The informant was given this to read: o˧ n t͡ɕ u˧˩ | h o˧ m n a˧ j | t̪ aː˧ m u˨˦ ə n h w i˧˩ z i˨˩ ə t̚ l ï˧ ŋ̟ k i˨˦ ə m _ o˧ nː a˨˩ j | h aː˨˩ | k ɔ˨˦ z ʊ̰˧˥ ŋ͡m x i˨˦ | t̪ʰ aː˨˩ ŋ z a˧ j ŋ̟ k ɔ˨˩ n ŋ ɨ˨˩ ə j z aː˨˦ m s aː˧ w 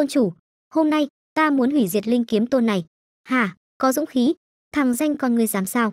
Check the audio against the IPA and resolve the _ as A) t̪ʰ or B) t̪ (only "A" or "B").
B